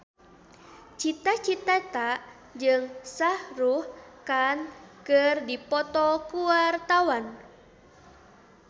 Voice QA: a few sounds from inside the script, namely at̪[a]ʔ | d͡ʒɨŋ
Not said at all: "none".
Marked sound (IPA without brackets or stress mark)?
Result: a